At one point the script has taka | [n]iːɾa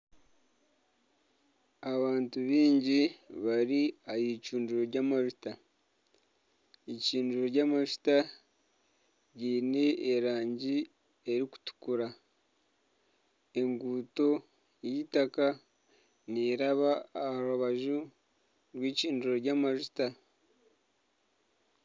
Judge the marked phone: correct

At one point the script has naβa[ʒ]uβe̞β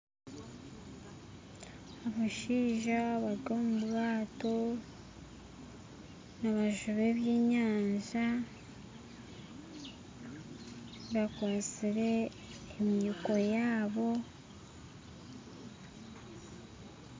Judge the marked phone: correct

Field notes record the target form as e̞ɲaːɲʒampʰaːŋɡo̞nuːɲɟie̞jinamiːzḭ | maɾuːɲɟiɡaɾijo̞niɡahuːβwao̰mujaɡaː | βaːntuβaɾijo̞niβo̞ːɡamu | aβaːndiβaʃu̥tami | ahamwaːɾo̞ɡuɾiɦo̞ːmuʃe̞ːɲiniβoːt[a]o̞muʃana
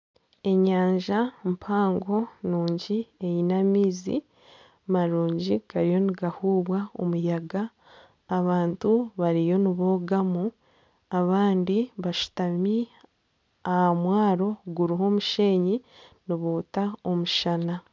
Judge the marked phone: correct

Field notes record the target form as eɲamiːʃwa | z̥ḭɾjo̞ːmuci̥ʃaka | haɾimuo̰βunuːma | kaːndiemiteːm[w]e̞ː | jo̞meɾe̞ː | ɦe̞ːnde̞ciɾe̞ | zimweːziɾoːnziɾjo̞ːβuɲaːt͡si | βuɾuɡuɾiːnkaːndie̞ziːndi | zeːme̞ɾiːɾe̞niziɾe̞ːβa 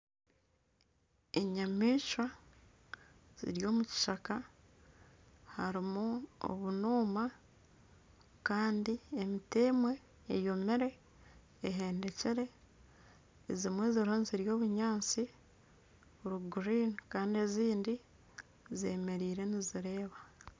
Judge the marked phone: correct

